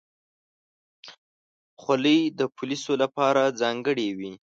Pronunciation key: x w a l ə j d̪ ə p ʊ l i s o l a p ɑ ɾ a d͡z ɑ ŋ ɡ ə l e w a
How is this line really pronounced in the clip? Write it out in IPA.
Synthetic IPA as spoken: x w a l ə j d̪ ə p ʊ l i s o l a p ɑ ɾ a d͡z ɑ ŋ ɡ ə ɽ e w i